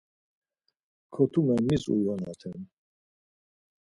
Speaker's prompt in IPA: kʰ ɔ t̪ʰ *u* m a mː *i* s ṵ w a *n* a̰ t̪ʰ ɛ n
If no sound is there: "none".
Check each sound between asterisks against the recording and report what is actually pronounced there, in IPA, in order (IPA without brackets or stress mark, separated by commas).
u, i, n